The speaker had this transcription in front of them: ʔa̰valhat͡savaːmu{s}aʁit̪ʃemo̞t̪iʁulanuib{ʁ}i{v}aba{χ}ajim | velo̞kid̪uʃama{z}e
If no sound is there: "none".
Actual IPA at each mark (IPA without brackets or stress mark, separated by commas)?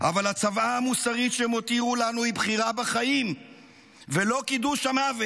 s, χ, ʁ, χ, v